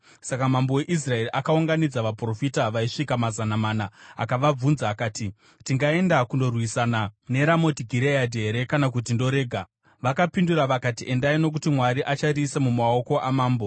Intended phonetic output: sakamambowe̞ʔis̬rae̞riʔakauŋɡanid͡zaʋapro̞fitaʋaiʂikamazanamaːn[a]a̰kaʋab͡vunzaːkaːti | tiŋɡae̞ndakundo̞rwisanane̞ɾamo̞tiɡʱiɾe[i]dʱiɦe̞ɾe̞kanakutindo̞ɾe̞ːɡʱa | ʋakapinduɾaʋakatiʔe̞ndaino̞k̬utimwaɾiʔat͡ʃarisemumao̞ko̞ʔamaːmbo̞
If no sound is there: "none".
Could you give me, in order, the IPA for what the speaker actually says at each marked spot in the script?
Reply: a, a

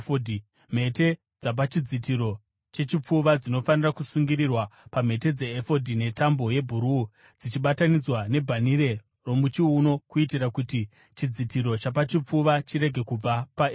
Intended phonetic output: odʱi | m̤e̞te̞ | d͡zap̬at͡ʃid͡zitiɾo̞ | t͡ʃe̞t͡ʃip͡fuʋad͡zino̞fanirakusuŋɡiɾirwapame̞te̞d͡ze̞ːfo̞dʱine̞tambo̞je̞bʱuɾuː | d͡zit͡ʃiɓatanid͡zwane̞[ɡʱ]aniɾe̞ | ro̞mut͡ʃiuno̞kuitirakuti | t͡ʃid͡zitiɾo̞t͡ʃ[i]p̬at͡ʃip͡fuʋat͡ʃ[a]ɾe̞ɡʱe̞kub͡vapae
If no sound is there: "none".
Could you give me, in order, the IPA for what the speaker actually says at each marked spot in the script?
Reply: bʱ, a, i

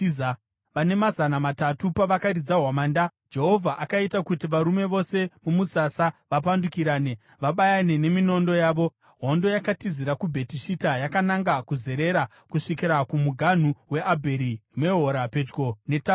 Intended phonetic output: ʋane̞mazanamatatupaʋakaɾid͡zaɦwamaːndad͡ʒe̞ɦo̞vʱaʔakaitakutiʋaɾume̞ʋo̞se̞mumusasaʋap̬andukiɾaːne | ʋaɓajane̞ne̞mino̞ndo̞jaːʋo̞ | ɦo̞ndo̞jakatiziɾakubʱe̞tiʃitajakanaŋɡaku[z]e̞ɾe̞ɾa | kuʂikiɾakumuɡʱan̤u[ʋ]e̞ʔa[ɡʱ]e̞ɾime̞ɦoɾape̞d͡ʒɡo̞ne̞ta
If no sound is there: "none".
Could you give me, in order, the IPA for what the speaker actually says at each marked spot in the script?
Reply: z, w, bʱ

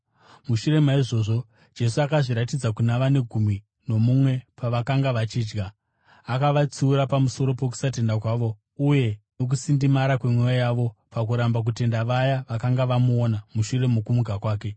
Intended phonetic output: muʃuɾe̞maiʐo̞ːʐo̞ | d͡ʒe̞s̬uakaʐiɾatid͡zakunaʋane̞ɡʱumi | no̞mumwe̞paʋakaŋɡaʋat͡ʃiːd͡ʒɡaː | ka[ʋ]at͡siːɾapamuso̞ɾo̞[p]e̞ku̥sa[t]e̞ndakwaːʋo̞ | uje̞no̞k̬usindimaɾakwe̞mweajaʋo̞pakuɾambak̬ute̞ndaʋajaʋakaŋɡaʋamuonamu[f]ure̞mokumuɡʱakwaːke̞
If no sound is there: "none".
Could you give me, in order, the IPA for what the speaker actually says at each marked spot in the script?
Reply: ʋ, p, t, ʃ

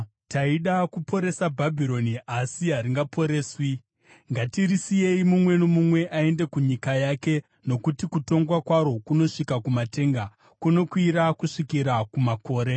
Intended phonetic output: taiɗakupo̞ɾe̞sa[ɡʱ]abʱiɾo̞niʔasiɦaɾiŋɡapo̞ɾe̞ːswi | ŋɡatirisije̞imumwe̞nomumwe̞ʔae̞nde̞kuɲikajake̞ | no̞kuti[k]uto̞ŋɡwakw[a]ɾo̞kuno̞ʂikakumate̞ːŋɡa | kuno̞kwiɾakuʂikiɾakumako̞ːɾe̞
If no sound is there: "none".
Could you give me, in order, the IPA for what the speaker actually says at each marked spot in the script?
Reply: bʱ, k, a

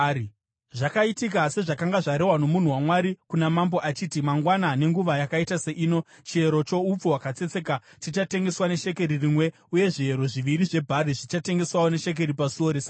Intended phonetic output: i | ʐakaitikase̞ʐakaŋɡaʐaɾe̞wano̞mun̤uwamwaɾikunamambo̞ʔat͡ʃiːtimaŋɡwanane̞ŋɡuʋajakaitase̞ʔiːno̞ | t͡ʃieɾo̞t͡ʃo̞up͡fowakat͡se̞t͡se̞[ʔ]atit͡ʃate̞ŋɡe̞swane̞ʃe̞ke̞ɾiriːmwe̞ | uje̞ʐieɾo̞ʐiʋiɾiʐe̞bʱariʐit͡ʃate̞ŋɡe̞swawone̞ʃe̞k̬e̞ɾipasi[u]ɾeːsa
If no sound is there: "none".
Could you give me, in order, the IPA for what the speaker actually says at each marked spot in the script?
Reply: k, o

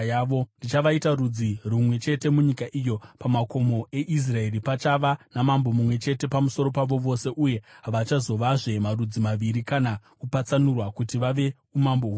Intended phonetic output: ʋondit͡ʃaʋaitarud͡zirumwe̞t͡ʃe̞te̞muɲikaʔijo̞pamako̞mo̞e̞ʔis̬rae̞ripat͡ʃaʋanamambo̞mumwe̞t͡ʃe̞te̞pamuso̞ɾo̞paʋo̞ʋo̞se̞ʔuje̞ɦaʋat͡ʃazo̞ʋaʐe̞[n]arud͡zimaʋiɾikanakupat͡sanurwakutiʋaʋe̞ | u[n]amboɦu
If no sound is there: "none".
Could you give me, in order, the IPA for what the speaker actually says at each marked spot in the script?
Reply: m, m

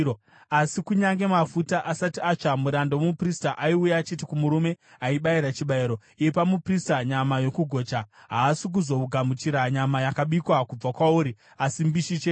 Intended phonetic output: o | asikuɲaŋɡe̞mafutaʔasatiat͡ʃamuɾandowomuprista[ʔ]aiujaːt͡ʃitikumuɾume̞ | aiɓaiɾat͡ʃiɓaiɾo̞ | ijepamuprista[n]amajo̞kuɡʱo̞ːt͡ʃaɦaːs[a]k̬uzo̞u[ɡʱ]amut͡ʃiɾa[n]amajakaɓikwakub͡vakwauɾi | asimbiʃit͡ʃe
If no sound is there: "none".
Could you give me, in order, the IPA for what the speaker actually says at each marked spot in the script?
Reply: ʔ, ɲ, i, ɡʱ, ɲ

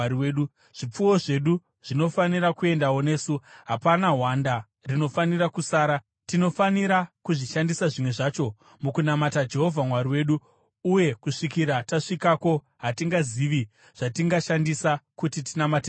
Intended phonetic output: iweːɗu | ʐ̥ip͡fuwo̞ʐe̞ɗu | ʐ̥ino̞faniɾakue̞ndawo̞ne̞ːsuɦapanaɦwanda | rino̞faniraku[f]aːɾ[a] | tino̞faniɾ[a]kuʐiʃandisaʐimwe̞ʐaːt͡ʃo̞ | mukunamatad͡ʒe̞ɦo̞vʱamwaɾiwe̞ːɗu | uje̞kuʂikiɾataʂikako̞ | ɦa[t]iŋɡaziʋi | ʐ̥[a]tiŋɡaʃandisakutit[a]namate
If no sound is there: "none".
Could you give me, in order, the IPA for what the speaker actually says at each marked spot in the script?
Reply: s, a, a, t, a, i

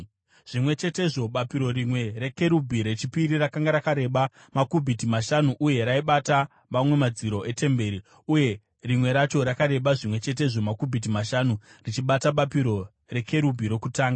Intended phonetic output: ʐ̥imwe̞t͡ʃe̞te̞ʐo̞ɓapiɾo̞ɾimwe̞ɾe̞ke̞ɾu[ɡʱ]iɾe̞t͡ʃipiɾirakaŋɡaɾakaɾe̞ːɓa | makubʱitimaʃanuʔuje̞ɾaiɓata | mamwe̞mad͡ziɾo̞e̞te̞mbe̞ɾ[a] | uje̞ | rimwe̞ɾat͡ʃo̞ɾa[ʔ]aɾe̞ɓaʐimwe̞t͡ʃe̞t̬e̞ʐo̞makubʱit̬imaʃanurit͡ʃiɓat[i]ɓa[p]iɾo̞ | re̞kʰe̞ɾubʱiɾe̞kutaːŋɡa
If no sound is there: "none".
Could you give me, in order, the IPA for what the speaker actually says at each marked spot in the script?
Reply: bʱ, i, k, a, p

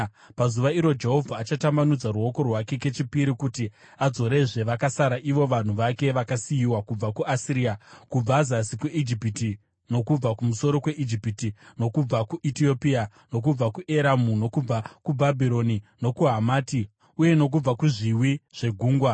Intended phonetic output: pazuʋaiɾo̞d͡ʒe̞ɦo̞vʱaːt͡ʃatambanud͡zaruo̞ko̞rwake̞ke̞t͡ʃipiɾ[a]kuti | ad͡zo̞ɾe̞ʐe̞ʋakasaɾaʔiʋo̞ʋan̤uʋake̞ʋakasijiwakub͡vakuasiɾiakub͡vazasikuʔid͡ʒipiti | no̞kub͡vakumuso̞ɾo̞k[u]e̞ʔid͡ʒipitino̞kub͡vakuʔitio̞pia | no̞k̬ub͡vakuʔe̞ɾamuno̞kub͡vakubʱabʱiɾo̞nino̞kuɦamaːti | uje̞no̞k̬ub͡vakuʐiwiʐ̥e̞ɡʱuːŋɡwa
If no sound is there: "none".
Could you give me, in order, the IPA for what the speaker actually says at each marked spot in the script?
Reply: i, w

